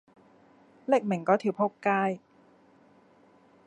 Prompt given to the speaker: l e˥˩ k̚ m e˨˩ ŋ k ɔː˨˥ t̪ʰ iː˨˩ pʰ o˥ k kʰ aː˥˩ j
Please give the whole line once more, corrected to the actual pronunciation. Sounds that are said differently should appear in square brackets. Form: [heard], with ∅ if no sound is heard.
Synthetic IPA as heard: l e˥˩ k̚ m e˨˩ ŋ k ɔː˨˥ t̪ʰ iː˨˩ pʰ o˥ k [k] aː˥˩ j